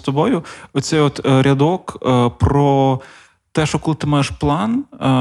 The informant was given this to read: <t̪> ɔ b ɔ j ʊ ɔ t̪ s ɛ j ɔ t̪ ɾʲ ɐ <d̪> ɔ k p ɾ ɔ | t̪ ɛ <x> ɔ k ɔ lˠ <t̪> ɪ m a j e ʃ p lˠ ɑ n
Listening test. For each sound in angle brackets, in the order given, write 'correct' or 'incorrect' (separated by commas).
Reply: correct, correct, incorrect, correct